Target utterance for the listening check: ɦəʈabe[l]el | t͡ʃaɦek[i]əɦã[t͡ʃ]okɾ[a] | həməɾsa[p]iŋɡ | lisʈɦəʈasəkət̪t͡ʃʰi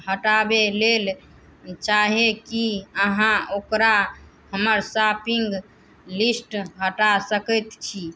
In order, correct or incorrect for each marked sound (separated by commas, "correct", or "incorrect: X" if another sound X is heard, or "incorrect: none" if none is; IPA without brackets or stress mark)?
correct, correct, incorrect: none, correct, correct